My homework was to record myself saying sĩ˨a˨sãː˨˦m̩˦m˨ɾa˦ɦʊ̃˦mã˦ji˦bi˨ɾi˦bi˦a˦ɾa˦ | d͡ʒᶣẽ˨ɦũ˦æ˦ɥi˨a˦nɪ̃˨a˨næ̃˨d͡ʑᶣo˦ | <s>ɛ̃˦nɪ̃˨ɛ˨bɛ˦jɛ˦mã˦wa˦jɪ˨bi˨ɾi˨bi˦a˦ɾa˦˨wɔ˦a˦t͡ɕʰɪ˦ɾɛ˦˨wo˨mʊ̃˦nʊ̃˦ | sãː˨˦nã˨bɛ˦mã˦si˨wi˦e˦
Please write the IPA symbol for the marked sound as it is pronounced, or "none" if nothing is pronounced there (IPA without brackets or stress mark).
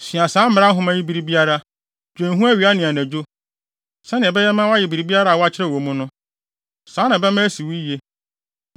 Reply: s